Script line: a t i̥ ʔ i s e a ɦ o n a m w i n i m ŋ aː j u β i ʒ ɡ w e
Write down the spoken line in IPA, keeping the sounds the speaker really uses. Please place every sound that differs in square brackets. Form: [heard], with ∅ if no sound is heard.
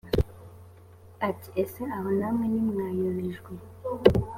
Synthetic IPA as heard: a t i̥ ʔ [e] s e a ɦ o n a m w [e] n i m ŋ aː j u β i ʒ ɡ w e

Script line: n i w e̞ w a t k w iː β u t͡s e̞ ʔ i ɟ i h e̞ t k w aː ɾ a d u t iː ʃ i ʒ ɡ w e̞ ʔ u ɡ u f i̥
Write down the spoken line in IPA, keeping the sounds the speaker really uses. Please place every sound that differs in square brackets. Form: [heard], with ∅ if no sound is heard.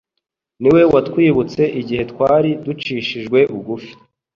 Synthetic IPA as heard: n i w e̞ w a t k w iː β u t͡s e̞ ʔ i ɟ i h e̞ t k w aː ɾ [i] d u [t͡ʃ] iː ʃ i ʒ ɡ w e̞ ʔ u ɡ u f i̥

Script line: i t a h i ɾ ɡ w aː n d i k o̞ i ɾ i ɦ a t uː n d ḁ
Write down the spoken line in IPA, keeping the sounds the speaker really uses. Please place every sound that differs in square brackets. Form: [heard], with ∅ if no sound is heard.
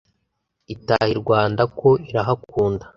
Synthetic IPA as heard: i t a h i ɾ ɡ w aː n d [a] k o̞ i ɾ [a] ɦ a [k] uː n d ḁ

